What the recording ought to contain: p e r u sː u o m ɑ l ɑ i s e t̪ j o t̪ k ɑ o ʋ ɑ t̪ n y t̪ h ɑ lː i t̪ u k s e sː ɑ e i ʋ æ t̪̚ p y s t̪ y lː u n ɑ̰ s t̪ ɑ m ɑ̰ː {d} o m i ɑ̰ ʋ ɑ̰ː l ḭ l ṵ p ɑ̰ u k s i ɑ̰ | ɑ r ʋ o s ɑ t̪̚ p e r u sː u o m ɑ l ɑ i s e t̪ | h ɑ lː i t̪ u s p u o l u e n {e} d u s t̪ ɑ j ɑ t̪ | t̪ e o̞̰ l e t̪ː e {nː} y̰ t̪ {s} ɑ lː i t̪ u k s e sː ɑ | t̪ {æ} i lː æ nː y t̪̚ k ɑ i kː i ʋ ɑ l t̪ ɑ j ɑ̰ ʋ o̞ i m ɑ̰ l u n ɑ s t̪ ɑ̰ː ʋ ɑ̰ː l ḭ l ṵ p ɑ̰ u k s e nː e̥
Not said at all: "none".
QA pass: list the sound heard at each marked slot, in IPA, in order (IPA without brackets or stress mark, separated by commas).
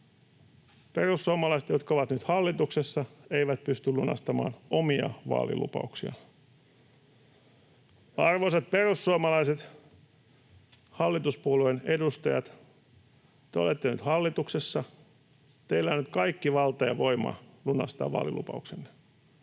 n, e, n, h, e